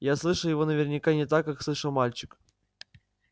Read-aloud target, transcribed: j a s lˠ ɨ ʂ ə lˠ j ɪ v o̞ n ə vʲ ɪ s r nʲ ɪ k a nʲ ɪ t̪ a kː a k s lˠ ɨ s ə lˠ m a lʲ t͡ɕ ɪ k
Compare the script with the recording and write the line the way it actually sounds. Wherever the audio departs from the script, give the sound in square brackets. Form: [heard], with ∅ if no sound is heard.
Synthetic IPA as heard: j a s lˠ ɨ ʂ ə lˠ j ɪ v o̞ n ə vʲ ɪ [∅] r nʲ ɪ k a nʲ ɪ t̪ a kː a k s lˠ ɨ [ʂ] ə lˠ m a lʲ t͡ɕ ɪ k